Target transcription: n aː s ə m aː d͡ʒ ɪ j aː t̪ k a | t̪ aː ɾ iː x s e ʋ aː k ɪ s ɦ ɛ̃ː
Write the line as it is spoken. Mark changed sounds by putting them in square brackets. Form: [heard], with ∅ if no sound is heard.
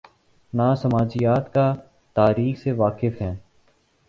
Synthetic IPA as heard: n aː s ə m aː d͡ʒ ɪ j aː t̪ k a | t̪ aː ɾ iː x s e ʋ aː k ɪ [f] ɦ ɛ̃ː